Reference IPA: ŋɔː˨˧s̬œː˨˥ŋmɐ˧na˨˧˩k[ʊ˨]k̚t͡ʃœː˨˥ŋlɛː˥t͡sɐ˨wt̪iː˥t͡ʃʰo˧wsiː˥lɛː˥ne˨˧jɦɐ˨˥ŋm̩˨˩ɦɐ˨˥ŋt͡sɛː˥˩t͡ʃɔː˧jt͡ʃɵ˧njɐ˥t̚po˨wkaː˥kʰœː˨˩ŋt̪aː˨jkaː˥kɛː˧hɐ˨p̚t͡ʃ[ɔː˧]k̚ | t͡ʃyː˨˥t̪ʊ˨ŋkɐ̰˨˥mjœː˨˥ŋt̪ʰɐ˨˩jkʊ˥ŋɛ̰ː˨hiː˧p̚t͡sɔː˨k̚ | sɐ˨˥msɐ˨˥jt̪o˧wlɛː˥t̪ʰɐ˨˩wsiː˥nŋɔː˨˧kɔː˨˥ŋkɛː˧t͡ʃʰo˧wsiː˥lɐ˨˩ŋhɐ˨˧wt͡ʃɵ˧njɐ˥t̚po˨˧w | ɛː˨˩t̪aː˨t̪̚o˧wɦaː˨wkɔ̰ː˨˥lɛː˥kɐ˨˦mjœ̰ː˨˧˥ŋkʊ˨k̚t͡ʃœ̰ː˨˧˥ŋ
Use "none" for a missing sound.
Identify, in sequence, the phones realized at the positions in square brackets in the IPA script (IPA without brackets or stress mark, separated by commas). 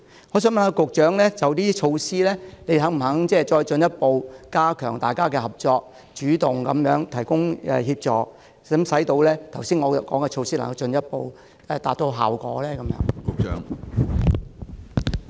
ʊ˨, ɔː˧